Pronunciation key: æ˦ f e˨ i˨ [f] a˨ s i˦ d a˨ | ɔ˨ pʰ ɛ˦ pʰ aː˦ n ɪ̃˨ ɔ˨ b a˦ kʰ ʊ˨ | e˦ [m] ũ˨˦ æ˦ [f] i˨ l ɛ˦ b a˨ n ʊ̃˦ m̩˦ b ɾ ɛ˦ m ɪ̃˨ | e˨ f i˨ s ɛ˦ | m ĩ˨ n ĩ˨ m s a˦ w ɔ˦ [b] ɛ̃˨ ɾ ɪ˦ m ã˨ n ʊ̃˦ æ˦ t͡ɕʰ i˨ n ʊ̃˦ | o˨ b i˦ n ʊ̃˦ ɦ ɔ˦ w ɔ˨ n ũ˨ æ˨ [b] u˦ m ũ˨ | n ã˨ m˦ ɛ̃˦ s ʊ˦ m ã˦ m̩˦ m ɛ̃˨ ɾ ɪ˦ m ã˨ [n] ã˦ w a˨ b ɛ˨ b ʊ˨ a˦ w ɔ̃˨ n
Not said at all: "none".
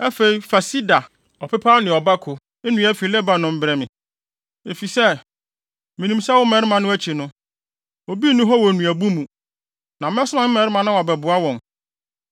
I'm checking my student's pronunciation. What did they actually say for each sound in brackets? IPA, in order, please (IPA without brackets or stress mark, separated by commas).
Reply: f, n, f, m, b, n